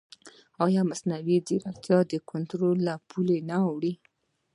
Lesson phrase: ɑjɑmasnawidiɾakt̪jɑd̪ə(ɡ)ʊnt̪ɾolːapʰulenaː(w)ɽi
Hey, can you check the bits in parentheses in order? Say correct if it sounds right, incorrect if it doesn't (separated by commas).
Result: incorrect, correct